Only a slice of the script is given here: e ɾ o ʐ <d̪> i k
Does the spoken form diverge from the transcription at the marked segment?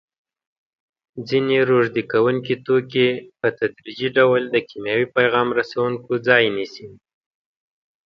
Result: no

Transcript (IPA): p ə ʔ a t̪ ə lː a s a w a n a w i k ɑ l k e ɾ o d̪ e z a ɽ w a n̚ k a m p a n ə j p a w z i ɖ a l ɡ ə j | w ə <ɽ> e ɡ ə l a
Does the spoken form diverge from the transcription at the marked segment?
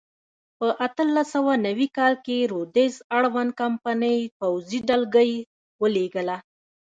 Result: yes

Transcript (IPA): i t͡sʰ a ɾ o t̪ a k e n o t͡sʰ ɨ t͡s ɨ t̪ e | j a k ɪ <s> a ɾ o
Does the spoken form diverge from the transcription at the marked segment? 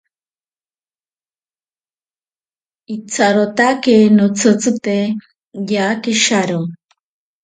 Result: yes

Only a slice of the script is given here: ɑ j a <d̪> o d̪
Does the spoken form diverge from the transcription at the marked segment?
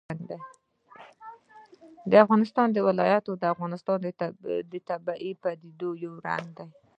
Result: yes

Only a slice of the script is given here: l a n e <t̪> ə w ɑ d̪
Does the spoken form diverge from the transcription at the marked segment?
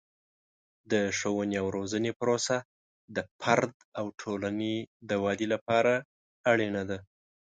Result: yes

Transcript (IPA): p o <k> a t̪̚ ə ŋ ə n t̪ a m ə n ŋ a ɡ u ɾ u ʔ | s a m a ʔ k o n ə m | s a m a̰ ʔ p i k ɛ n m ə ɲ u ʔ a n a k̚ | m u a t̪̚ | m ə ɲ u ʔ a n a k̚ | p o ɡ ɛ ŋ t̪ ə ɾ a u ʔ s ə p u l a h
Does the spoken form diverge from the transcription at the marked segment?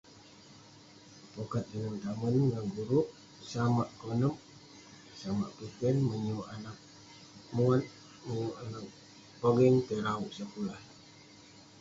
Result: no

